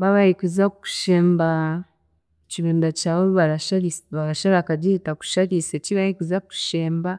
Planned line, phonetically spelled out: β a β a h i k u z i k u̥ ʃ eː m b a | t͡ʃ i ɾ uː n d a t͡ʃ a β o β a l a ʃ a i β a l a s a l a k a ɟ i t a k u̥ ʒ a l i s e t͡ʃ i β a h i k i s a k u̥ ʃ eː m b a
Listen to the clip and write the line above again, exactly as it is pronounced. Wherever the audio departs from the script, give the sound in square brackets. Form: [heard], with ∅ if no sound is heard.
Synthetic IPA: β a β a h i k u z [a] k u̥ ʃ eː m b a | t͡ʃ i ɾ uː n d a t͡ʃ a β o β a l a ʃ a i β a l a [ʃ] a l a k a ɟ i t a k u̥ [ʃ] a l i s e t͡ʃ i β a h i k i [z] a k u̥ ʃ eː m b a